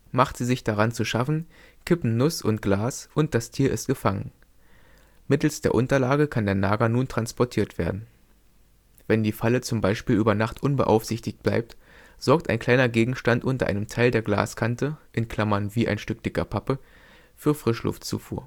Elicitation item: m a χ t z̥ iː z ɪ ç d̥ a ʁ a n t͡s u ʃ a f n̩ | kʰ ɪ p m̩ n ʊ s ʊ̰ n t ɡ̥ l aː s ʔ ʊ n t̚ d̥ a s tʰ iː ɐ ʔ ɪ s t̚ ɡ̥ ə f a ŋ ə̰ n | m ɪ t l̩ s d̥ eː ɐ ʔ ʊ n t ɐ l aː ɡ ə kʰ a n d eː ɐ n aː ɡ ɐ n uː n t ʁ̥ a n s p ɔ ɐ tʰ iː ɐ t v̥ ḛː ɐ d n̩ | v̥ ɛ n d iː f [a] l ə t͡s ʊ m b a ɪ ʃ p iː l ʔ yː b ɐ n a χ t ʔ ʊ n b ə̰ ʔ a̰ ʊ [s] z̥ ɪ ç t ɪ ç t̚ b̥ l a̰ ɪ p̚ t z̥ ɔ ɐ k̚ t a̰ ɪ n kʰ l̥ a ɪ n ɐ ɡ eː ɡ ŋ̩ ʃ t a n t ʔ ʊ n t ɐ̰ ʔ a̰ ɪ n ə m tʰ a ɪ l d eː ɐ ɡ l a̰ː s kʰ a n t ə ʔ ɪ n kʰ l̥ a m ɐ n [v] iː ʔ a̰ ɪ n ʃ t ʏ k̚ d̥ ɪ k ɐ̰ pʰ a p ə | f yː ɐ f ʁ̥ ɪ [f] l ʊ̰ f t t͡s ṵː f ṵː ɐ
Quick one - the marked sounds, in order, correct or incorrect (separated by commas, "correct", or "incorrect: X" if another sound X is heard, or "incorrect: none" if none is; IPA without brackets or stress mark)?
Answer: correct, incorrect: f, correct, incorrect: ʃ